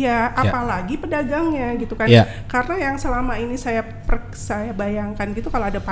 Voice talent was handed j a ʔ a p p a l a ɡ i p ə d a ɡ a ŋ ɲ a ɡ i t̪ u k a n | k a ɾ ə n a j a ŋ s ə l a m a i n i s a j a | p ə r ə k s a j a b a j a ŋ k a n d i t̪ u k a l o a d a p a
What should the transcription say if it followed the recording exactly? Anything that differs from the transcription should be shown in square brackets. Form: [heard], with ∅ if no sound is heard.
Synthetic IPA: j a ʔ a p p a l a ɡ i p ə d a ɡ a ŋ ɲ a ɡ i t̪ u k a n | k a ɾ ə n a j a ŋ s ə l a m a i n i s a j a | p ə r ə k s a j a b a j a ŋ k a n [ɡ] i t̪ u k a l o a d a p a